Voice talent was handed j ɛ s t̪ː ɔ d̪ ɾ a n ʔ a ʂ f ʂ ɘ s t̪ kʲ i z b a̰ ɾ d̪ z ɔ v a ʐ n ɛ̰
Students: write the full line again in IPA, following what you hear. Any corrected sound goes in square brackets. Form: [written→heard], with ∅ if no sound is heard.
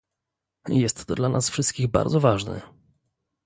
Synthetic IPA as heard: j ɛ s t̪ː ɔ d̪ [ɾ→l] a n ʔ a [ʂ→s] f ʂ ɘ s t̪ kʲ i [z→ɣ] b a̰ ɾ d̪ z ɔ v a ʐ n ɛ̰